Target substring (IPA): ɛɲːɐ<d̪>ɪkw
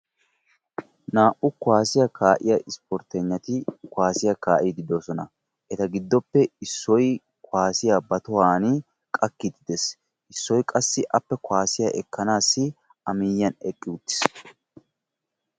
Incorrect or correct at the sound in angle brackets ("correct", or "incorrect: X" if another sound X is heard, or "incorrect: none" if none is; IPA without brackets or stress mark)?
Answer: incorrect: t̪